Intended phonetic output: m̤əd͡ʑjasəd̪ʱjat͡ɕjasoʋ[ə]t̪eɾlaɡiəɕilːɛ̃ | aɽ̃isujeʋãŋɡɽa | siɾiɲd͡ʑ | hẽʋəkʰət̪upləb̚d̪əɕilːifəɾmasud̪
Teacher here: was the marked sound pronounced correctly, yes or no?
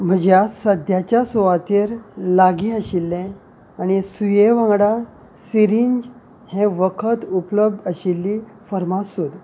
no